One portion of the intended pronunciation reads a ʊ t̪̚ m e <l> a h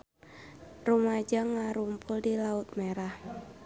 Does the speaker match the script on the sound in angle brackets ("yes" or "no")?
no